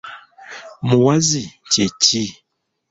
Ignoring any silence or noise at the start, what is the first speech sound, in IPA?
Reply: m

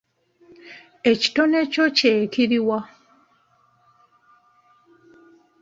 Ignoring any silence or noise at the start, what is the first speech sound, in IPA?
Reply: e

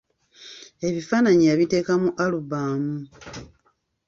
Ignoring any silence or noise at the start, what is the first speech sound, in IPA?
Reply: e̞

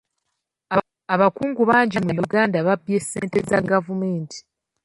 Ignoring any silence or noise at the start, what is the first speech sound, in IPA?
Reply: a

